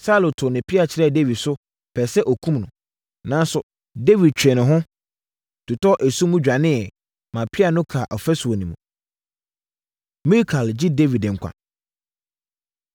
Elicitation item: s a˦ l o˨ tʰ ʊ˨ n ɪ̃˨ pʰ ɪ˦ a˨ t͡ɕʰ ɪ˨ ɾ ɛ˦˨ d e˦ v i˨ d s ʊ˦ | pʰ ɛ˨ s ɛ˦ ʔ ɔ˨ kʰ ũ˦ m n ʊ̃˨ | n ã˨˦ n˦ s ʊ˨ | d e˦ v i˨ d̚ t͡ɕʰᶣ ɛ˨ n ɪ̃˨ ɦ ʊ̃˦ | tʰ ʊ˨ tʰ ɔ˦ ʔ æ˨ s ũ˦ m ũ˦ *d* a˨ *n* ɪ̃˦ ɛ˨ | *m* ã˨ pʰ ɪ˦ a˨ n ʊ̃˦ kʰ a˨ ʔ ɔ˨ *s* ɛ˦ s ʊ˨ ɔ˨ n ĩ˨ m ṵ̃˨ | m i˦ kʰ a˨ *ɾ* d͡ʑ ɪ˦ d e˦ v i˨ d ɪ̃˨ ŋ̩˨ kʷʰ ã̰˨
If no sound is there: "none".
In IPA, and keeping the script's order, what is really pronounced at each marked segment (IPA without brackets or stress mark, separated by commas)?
d͡ʑᶣ, n, m, f, l